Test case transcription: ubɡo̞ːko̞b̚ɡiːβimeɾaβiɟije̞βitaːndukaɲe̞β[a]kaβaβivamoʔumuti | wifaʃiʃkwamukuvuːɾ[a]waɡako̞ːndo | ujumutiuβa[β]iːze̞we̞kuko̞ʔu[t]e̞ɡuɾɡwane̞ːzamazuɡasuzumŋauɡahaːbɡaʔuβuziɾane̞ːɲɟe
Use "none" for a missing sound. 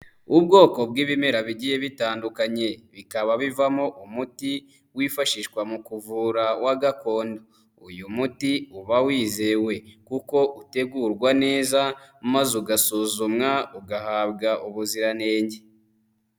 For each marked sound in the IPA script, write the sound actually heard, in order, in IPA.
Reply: i, a, w, t

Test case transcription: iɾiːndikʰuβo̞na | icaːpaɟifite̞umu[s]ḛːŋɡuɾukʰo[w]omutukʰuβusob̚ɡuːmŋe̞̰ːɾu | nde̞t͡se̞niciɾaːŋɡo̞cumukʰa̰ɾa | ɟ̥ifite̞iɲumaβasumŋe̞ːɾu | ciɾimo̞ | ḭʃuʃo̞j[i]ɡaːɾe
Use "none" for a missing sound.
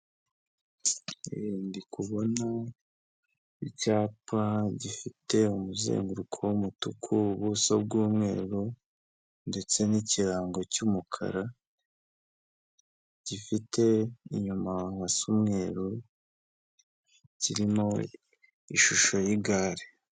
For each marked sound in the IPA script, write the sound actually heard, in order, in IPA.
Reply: z, w, i

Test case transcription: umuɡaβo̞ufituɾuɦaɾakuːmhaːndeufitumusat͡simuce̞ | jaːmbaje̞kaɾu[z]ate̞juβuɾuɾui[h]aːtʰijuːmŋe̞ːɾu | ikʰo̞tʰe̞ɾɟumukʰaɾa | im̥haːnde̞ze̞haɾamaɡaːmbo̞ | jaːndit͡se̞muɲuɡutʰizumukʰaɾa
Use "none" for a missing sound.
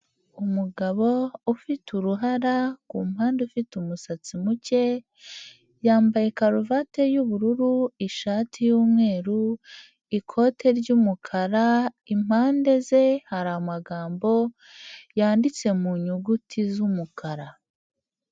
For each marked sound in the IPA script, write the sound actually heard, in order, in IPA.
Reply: v, ʃ

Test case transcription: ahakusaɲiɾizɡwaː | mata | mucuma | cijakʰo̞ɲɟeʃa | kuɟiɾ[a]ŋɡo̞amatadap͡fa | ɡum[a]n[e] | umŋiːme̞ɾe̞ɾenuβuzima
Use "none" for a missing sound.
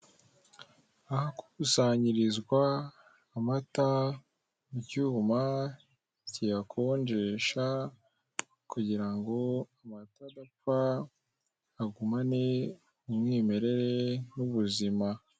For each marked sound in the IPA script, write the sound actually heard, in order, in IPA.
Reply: a, a, e

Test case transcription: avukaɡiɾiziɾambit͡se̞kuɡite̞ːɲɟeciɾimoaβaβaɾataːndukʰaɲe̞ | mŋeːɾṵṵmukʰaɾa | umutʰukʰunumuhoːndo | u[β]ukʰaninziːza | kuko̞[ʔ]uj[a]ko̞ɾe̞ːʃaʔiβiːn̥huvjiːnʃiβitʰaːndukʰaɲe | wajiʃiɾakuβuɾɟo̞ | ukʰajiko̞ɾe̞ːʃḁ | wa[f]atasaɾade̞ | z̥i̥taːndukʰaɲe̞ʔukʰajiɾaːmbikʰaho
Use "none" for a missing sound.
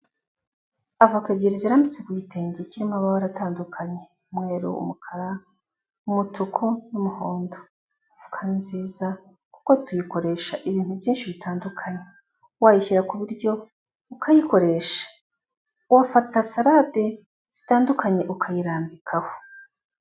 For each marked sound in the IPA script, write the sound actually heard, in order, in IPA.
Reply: v, t, i, f

